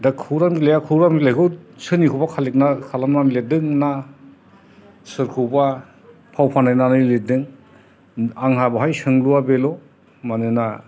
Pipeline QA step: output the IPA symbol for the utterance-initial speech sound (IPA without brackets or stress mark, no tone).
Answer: d